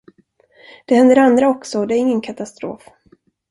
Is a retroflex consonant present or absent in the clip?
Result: absent